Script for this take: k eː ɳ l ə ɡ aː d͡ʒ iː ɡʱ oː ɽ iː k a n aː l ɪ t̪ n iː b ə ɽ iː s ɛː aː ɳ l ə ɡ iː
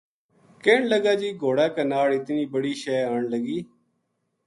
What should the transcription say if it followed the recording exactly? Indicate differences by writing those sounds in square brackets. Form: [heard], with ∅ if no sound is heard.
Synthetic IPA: k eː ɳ l ə ɡ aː d͡ʒ iː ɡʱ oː ɽ [aː] k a n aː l ɪ t̪ n iː b ə ɽ iː [ʃ] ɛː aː ɳ l ə ɡ iː